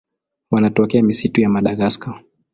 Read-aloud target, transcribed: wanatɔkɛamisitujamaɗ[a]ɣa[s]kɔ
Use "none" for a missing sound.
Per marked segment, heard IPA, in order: a, s

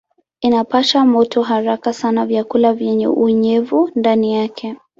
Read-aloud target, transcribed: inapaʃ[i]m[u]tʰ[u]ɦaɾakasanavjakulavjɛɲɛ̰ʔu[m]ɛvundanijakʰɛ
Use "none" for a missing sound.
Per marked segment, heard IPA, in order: a, ɔ, ɔ, ɲ

